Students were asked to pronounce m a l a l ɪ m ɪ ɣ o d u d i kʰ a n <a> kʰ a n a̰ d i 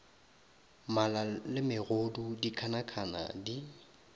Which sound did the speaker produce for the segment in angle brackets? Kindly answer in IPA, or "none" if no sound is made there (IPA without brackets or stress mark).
a